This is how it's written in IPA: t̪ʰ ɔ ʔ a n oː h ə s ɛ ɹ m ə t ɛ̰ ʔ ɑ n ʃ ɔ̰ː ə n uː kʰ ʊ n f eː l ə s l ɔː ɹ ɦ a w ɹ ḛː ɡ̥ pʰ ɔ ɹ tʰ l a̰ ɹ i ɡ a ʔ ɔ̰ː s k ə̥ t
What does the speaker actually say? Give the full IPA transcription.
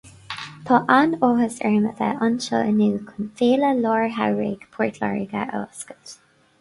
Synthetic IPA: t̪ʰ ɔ ʔ a n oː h ə s ɛ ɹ m ə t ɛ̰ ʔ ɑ n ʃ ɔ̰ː ə n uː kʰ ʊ n f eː l ə l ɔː ɹ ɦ a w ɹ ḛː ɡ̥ pʰ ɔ ɹ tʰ l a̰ ɹ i ɡ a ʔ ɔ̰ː s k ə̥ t